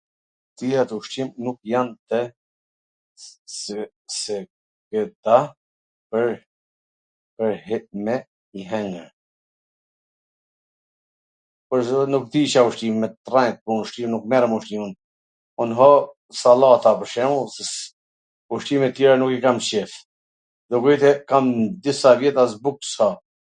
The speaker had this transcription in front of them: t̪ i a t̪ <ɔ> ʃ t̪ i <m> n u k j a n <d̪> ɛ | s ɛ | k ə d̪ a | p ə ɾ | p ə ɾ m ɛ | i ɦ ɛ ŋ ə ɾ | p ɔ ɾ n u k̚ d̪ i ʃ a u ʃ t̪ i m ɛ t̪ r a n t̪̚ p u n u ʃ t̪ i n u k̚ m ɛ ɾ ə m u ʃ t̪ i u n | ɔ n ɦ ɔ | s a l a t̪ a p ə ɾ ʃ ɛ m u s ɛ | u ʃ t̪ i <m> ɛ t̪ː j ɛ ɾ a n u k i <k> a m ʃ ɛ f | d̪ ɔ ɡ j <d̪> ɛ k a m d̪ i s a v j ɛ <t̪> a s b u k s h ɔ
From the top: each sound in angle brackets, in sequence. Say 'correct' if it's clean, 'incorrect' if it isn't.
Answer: incorrect: u, correct, incorrect: t̪, correct, correct, incorrect: t̪, correct

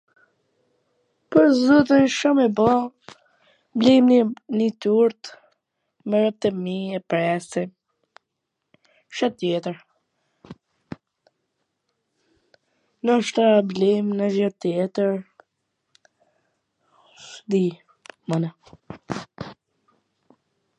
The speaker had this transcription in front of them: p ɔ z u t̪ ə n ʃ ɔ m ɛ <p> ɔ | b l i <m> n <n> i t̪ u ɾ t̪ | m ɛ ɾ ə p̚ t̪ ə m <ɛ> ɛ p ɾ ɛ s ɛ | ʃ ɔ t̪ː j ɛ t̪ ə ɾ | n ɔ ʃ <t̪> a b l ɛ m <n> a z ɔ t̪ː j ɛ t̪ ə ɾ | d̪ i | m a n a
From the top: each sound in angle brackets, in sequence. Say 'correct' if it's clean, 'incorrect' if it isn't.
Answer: incorrect: b, correct, correct, incorrect: i, correct, correct

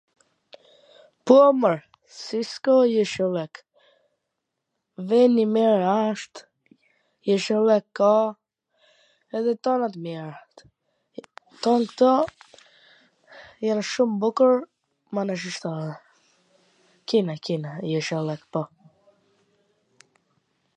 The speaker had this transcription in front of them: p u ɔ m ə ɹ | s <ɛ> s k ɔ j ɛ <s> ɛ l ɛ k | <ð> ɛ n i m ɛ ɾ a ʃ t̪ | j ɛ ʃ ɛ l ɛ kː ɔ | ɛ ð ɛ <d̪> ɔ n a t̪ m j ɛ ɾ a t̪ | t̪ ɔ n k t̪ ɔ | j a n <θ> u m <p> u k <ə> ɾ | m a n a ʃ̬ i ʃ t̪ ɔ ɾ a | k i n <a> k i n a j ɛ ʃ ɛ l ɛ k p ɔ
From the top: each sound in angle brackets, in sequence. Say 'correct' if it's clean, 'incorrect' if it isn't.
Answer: incorrect: i, incorrect: ʃ, incorrect: v, incorrect: t̪, incorrect: ʃ, incorrect: b, correct, correct

